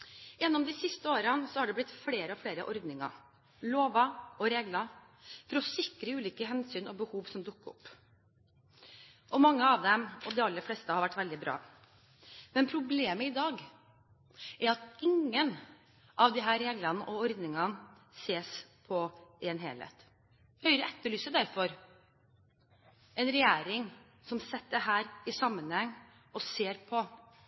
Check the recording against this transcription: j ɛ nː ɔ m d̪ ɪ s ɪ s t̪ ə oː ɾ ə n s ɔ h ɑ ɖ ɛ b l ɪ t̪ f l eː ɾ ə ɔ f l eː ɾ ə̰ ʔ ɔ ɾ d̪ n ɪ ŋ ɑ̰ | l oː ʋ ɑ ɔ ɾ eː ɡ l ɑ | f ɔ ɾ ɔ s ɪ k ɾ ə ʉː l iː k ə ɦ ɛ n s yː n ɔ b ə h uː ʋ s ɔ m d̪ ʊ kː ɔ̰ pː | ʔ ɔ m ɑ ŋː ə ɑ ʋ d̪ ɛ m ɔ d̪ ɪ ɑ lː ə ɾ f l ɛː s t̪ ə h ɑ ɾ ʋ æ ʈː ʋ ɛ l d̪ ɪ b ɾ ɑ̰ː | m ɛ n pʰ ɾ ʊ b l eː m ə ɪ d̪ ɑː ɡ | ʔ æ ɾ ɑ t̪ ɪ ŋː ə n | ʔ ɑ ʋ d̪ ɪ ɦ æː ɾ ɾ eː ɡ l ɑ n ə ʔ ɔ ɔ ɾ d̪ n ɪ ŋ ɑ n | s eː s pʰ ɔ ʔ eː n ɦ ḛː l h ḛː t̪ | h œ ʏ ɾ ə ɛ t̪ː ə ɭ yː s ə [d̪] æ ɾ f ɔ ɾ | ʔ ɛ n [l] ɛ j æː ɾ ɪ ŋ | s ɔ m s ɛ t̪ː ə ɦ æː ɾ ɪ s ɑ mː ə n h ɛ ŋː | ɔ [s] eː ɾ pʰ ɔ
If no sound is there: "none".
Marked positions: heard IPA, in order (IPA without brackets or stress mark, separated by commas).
d̪, ɾ, s